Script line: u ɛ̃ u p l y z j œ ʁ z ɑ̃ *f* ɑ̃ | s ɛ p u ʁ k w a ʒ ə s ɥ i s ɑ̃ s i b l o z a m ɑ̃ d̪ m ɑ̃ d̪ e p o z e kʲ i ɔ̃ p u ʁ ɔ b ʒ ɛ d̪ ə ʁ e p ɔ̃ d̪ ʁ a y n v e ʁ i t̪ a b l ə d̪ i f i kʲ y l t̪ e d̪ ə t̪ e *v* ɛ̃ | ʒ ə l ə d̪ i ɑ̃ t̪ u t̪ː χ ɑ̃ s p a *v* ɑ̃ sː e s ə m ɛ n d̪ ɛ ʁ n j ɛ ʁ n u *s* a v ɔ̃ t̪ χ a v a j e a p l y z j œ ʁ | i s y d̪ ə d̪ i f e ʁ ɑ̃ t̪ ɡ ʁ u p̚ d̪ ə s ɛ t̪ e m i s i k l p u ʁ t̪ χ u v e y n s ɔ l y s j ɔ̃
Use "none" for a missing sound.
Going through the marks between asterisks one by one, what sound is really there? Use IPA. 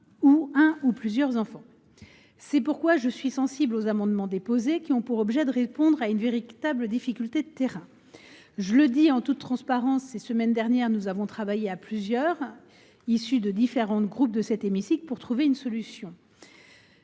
f, ʁ, ʁ, z

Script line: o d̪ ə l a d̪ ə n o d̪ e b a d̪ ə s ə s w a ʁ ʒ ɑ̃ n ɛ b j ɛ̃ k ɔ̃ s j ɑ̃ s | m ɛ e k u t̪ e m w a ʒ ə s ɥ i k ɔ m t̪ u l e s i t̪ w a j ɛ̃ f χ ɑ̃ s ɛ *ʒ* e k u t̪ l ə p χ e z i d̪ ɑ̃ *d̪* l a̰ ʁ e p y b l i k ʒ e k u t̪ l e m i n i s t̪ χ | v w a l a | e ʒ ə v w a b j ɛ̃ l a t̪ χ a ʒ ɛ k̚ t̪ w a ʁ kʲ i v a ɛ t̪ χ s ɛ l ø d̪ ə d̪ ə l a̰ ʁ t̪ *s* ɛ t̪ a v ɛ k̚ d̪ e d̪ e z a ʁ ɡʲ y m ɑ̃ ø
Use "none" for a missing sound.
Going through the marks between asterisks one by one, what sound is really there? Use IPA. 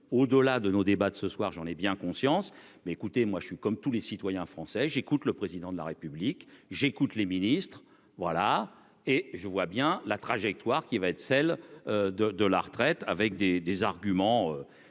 ʒ, d̪, χ

